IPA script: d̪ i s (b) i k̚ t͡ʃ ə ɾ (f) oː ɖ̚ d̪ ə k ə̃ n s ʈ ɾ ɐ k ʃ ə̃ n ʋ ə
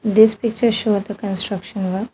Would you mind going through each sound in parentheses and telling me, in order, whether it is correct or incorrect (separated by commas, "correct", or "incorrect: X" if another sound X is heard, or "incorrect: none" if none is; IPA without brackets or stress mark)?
incorrect: p, incorrect: ʃ